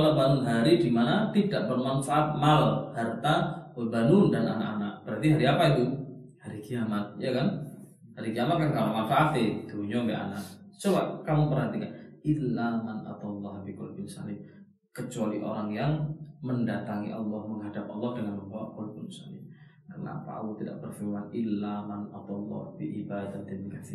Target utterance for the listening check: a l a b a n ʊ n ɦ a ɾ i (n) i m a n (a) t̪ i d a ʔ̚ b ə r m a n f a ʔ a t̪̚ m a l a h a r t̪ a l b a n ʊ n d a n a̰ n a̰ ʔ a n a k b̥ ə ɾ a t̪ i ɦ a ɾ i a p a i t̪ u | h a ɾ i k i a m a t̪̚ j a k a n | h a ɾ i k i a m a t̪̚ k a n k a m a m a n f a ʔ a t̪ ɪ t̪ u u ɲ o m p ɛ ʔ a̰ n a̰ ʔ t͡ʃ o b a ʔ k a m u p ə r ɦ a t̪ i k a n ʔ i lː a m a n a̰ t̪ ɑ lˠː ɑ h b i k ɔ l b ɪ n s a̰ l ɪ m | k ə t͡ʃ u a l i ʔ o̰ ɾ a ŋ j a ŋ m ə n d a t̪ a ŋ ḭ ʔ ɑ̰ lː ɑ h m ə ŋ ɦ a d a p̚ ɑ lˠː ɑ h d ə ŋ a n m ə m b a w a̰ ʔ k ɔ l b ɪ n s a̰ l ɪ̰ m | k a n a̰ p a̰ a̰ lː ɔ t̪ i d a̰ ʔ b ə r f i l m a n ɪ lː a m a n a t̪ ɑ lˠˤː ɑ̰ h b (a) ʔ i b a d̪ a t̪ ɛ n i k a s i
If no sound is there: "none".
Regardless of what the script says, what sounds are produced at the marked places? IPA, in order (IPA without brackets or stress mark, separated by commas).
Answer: d, a, i